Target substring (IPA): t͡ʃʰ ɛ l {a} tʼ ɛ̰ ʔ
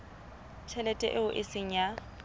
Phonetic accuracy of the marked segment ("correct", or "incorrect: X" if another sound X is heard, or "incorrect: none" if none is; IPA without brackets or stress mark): incorrect: ɛ